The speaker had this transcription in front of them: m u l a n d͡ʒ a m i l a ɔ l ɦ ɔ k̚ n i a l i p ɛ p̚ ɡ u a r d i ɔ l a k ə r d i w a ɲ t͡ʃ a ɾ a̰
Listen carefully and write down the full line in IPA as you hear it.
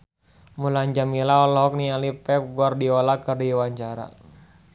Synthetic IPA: m u l a ɲ d͡ʒ a m i l a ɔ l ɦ ɔ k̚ n i a l i p ɛ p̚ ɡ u a r d i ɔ l a k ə r d i w a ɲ t͡ʃ a ɾ a̰